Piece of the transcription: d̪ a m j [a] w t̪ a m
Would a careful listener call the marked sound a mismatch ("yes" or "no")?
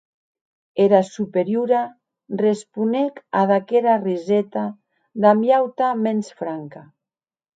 no